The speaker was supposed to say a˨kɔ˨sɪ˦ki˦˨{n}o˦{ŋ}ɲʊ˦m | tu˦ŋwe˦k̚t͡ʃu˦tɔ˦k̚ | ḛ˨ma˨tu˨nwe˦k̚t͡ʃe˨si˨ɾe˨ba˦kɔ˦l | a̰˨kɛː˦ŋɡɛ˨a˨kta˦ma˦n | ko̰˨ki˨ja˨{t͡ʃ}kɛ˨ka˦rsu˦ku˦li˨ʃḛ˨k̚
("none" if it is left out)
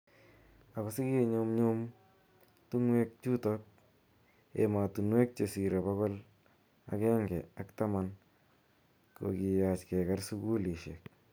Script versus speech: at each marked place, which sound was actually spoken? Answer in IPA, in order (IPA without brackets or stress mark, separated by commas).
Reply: ɲ, m, t͡ʃ